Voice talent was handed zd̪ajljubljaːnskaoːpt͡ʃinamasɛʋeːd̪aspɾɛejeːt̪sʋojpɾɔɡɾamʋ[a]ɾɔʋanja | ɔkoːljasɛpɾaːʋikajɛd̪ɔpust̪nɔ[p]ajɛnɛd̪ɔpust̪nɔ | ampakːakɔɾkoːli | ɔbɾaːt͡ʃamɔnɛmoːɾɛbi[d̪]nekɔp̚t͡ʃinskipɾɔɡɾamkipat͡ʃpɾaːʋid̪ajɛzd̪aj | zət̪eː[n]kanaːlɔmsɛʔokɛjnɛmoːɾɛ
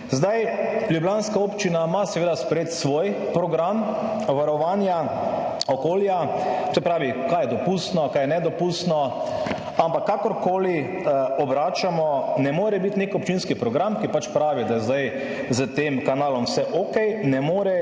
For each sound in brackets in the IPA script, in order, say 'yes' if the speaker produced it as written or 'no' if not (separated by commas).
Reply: yes, no, no, no